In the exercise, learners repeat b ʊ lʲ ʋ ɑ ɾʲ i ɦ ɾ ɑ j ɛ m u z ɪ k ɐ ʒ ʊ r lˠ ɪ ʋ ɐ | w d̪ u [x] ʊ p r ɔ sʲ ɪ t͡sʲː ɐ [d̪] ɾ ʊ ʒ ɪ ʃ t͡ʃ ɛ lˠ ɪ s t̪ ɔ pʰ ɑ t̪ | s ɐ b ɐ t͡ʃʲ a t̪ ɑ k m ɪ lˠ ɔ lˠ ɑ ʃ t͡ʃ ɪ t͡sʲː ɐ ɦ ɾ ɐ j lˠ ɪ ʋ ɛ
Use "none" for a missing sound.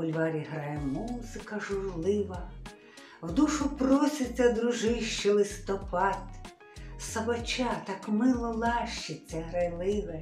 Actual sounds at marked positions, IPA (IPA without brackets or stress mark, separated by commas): ʃ, d̪